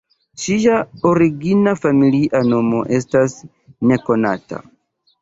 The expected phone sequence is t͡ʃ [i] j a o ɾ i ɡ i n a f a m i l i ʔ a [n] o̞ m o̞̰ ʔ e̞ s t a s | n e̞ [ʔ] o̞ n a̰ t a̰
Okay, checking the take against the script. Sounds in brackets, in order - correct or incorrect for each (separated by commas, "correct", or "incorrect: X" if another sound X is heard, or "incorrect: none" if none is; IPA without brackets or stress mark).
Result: correct, correct, incorrect: k